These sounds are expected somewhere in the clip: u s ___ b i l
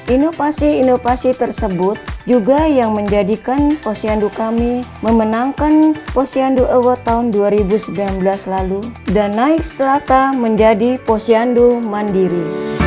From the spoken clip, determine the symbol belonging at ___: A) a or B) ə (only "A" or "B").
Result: B